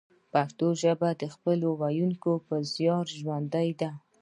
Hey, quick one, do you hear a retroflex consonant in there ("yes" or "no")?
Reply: no